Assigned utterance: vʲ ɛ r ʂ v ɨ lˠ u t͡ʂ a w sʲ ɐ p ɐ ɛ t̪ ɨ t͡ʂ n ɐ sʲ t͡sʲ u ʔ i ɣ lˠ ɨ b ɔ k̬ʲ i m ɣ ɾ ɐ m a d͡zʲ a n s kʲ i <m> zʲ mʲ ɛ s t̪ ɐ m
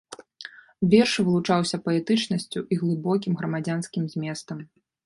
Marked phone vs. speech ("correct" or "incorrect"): correct